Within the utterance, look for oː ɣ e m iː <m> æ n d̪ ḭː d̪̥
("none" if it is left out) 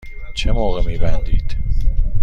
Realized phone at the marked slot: b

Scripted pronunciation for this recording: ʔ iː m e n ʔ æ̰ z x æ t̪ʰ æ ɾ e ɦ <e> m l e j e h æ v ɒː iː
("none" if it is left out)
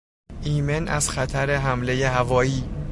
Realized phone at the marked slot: æ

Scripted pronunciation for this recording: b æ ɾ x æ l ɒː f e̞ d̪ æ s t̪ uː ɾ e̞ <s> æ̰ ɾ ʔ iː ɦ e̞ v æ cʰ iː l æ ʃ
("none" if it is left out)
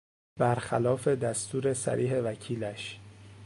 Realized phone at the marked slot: s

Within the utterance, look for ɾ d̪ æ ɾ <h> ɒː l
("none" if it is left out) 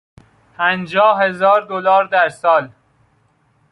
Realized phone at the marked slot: s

